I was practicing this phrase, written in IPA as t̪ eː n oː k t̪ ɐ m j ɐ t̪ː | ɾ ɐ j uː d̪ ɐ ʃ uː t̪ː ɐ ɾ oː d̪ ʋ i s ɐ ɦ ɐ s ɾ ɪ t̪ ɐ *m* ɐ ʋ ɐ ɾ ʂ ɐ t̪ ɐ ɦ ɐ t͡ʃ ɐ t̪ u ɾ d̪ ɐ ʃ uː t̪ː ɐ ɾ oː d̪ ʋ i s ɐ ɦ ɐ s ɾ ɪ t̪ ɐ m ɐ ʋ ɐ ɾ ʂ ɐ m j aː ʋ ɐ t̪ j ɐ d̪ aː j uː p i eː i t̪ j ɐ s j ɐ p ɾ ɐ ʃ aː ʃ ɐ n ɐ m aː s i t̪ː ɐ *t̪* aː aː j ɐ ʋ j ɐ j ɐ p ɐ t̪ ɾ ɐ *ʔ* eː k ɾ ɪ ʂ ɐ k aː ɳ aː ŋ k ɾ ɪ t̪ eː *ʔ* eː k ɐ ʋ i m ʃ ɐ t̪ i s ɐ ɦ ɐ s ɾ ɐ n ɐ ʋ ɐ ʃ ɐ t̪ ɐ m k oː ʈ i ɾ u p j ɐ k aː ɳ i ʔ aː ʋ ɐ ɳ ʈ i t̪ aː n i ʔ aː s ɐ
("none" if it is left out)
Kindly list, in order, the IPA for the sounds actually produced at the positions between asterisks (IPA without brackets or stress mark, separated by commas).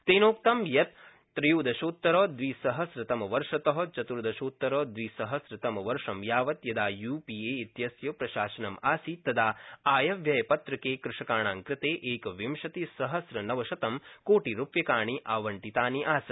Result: m, d̪, k, ʔ